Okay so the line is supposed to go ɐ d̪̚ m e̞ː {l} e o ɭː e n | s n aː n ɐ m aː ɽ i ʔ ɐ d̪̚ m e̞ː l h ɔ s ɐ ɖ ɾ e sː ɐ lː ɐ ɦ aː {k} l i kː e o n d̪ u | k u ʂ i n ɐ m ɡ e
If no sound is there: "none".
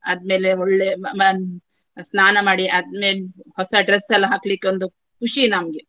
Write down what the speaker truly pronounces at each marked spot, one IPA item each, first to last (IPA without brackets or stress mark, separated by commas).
l, k